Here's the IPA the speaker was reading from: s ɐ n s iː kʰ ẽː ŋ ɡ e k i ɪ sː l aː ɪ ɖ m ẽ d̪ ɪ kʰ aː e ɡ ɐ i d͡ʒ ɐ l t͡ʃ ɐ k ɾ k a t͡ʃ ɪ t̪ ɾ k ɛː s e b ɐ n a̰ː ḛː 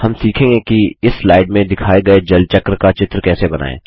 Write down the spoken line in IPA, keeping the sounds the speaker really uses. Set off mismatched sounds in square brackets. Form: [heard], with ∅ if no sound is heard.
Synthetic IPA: [h] ɐ [m] s iː kʰ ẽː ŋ ɡ e k i ɪ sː l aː ɪ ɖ m ẽ d̪ ɪ kʰ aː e ɡ ɐ [e] d͡ʒ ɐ l t͡ʃ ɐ k ɾ k a t͡ʃ ɪ t̪ ɾ k ɛː s e b ɐ n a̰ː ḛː